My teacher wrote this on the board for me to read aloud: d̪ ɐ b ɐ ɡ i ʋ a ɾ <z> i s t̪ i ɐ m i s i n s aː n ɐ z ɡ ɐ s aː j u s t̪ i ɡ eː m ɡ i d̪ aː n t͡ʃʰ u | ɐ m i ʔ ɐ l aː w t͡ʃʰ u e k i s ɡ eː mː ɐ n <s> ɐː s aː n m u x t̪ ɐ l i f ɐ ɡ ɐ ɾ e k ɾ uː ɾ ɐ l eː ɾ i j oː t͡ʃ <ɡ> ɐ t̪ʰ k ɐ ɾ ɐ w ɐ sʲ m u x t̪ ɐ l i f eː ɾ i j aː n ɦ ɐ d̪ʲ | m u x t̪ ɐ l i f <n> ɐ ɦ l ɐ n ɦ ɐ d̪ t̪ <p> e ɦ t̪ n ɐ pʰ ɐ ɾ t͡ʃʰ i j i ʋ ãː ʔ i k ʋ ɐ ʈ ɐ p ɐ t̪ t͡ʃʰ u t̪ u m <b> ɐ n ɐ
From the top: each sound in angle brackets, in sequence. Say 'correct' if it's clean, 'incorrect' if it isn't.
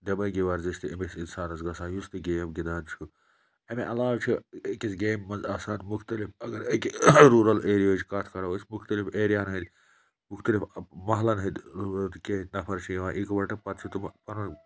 correct, incorrect: z, incorrect: k, incorrect: m, incorrect: k, incorrect: p

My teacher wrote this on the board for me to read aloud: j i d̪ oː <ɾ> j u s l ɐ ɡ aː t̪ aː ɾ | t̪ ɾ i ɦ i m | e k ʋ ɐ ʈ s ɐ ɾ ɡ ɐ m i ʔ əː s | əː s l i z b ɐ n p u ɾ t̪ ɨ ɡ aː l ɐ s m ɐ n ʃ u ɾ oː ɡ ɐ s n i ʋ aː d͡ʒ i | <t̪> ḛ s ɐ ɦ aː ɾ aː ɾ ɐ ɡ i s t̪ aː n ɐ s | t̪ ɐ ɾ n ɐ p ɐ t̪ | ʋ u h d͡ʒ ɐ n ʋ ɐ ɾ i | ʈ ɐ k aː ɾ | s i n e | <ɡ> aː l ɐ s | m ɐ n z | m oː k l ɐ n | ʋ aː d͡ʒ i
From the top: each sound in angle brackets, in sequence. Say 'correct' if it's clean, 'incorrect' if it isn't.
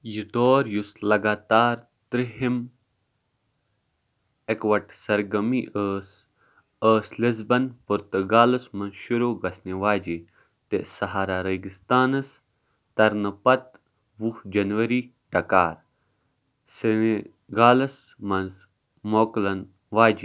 correct, correct, correct

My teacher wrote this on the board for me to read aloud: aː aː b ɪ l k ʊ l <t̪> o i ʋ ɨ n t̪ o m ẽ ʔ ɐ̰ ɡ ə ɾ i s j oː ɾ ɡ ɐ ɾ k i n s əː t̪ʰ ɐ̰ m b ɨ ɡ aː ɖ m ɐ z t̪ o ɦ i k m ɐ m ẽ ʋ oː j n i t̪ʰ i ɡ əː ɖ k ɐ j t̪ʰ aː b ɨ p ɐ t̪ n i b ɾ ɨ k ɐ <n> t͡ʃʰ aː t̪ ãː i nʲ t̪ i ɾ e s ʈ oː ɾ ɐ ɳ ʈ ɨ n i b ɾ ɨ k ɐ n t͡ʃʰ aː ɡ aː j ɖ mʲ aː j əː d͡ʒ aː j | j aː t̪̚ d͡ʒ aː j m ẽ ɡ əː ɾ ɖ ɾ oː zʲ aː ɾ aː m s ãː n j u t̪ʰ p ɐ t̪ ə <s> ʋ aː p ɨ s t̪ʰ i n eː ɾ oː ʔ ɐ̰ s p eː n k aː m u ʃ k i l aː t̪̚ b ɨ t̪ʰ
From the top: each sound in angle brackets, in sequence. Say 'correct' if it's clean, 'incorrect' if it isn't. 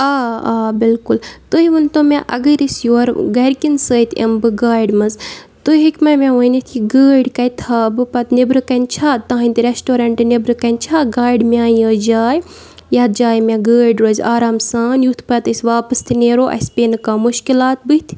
correct, correct, correct

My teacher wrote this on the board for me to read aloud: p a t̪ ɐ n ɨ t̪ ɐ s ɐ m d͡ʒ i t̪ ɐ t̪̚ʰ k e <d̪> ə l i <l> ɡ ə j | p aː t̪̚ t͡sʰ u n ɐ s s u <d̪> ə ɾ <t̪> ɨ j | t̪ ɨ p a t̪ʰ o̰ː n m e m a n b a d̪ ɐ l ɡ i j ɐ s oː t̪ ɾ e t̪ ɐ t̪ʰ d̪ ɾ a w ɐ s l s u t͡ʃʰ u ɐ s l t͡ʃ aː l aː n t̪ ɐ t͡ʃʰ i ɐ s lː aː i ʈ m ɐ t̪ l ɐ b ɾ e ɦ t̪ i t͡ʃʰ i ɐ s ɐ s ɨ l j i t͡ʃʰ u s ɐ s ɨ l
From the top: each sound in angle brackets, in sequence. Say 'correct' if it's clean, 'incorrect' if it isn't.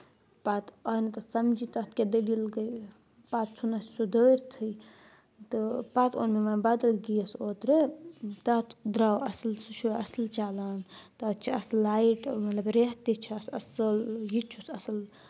correct, correct, correct, incorrect: t̪ʰ

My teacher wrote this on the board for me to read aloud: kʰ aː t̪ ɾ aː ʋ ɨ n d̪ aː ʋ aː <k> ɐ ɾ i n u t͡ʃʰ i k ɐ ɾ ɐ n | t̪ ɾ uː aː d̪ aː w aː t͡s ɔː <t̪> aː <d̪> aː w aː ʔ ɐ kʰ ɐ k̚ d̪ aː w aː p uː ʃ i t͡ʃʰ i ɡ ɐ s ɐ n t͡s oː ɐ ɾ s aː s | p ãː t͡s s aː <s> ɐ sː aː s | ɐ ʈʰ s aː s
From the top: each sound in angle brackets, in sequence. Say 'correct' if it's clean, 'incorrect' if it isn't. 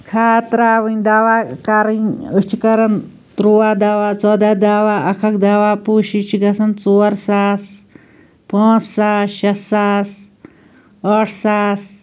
correct, incorrect: d̪, correct, incorrect: ʃ

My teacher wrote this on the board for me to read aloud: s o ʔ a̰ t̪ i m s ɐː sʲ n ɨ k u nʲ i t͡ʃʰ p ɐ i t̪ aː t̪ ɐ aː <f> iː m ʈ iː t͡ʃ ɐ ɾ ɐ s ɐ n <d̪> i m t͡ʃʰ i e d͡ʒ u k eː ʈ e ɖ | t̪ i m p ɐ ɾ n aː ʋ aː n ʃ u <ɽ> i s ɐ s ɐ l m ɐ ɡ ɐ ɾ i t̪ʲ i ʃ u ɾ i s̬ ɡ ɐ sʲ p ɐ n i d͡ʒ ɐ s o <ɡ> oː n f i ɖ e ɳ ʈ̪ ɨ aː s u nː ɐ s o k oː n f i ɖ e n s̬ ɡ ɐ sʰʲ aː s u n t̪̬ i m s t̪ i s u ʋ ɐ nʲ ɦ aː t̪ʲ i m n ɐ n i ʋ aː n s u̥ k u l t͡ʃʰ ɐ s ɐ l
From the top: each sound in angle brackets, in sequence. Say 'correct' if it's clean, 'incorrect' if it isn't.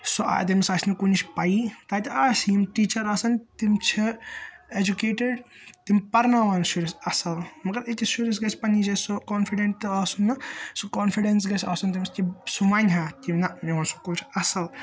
incorrect: s, incorrect: t̪, incorrect: ɾ, incorrect: k

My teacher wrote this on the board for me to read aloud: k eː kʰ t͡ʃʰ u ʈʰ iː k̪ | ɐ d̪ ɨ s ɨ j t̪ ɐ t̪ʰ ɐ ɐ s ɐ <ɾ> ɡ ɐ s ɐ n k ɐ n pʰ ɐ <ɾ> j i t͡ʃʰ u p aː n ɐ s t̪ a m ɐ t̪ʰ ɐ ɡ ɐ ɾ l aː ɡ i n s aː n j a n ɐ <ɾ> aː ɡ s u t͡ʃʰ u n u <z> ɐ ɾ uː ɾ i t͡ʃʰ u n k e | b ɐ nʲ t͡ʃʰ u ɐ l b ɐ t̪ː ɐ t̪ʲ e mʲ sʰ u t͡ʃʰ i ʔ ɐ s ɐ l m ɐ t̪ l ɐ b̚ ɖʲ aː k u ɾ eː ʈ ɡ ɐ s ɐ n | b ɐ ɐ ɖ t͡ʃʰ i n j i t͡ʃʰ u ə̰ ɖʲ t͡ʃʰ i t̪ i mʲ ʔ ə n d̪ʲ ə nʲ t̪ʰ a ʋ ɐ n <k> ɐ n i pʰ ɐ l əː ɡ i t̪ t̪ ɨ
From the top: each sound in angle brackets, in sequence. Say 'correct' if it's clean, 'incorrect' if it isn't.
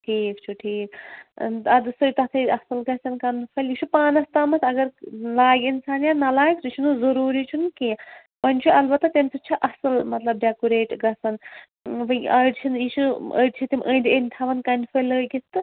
incorrect: l, incorrect: l, incorrect: l, correct, correct

